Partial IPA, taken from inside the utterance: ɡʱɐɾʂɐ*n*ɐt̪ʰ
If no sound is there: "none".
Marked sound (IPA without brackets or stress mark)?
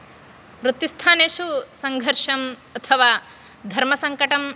m